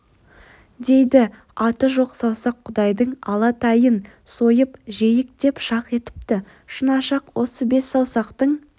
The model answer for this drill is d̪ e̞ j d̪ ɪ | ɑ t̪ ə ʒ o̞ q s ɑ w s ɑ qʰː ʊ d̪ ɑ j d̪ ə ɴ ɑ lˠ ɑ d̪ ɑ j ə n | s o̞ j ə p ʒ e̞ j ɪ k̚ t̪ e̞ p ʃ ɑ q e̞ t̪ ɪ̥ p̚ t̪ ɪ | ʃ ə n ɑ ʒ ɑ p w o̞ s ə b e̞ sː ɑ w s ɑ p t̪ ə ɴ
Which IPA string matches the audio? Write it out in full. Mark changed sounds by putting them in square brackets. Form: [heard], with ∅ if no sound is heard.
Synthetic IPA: d̪ e̞ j d̪ ɪ | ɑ t̪ ə ʒ o̞ q s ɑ w s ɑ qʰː ʊ d̪ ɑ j d̪ ə ɴ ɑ lˠ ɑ [t̪] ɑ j ə n | s o̞ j ə p ʒ e̞ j ɪ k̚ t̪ e̞ p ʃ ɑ q e̞ t̪ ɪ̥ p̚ t̪ ɪ | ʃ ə n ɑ [ʃ] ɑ [q] w o̞ s ə b e̞ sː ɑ w s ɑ [q] t̪ ə ɴ